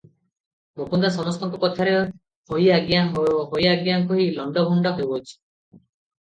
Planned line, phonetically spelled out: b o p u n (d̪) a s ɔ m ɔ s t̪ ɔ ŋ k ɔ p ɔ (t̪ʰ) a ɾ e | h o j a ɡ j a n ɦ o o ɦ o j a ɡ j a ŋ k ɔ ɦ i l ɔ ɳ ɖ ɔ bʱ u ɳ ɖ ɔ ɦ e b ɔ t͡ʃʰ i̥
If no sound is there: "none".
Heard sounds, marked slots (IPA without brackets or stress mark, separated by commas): d̪, t̪ʰ